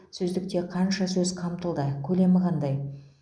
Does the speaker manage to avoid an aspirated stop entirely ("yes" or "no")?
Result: no